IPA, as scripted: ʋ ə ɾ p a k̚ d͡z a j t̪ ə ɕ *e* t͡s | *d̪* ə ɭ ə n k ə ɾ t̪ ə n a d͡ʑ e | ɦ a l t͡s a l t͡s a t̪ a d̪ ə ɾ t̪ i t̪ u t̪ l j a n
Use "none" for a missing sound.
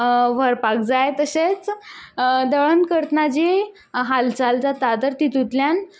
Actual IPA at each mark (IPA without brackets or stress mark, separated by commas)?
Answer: e, d̪